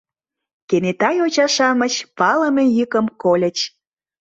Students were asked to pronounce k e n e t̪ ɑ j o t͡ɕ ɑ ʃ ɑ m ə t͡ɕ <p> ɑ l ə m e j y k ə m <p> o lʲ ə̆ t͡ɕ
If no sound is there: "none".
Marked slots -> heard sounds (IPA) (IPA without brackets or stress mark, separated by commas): p, k